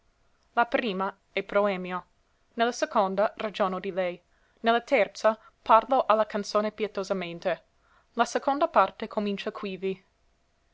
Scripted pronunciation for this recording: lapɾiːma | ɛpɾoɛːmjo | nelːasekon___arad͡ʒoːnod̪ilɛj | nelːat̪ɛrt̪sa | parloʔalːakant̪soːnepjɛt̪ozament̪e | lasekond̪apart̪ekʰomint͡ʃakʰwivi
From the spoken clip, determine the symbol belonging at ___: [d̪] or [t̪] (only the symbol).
d̪